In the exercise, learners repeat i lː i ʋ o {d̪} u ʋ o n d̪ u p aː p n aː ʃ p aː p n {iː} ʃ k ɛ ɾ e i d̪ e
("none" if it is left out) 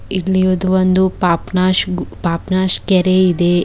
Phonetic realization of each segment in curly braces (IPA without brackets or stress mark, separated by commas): d̪, aː